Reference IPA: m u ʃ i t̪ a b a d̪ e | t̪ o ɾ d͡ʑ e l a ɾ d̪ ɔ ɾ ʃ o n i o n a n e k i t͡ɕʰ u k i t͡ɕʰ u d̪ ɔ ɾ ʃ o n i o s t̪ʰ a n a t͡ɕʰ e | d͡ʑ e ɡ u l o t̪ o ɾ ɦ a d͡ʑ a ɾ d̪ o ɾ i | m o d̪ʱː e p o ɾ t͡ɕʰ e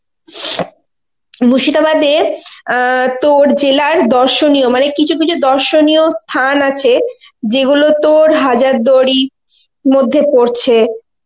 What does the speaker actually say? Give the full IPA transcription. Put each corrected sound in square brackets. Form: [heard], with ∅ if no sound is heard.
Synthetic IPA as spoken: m u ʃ i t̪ a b a d̪ e | t̪ o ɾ d͡ʑ e l a ɾ d̪ ɔ ɾ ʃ o n i o [m] a n e k i t͡ɕʰ u k i t͡ɕʰ u d̪ ɔ ɾ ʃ o n i o s t̪ʰ a n a t͡ɕʰ e | d͡ʑ e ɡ u l o t̪ o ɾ ɦ a d͡ʑ a ɾ d̪ o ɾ i | m o d̪ʱː e p o ɾ t͡ɕʰ e